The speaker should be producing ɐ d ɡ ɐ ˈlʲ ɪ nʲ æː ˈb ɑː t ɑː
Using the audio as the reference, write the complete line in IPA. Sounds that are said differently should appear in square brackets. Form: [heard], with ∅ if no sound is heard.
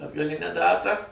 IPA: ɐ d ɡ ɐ ˈlʲ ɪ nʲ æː [ˈd] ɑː t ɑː